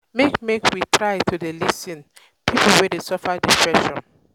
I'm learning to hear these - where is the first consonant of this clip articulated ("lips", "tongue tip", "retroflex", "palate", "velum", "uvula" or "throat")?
lips